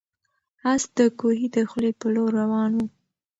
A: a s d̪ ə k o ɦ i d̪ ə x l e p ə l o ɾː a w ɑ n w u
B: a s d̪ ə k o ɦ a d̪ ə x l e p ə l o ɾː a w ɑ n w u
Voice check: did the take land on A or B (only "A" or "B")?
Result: A